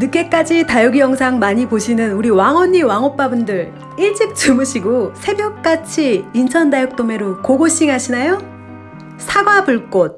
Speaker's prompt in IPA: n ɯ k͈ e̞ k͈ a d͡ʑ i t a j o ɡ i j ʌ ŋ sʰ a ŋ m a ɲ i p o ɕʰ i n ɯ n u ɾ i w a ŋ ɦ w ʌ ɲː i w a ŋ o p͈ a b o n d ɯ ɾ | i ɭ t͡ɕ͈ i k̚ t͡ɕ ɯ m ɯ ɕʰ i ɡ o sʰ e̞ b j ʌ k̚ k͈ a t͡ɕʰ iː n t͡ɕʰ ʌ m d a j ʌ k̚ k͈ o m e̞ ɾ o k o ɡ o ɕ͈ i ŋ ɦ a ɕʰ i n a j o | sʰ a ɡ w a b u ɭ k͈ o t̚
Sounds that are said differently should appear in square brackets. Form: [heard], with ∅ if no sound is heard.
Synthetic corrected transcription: n ɯ k͈ e̞ k͈ a d͡ʑ i t a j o ɡ i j ʌ ŋ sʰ a ŋ m a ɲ i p o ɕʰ i n ɯ n u ɾ i w a ŋ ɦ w ʌ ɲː i w a ŋ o p͈ a b [u] n d ɯ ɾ | i ɭ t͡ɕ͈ i k̚ t͡ɕ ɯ m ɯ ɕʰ i ɡ o sʰ e̞ b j ʌ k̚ k͈ a t͡ɕʰ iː n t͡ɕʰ ʌ [n] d a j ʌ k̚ [t͈] o m e̞ ɾ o k o ɡ o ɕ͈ i ŋ ɦ a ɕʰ i n a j o | sʰ a ɡ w a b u ɭ k͈ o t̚